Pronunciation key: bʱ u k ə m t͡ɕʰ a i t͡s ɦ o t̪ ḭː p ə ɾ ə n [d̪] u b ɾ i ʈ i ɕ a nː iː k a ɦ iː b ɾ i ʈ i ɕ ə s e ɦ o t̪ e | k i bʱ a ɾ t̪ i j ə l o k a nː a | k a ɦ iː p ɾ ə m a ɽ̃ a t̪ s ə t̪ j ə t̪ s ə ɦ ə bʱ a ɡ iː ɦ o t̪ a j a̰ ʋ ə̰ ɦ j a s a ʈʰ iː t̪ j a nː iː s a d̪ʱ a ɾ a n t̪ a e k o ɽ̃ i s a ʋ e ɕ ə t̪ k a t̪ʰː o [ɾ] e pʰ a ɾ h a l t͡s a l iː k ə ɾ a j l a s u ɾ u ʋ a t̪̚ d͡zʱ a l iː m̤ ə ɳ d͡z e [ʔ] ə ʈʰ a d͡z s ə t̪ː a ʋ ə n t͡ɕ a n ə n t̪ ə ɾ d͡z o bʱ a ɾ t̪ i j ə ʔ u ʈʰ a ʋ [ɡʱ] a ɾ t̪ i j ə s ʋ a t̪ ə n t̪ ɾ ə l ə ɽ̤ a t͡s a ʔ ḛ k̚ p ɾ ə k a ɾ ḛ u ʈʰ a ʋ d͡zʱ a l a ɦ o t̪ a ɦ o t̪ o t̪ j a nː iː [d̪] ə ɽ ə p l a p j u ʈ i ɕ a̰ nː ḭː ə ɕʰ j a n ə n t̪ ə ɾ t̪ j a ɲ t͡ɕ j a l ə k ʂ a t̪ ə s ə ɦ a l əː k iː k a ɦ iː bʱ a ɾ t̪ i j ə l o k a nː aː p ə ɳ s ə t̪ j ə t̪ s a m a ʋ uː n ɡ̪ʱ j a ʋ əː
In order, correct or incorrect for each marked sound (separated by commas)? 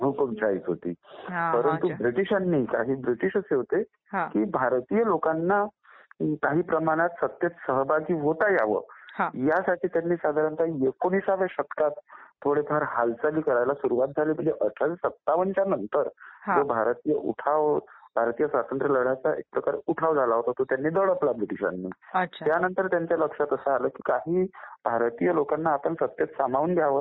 incorrect, incorrect, correct, incorrect, correct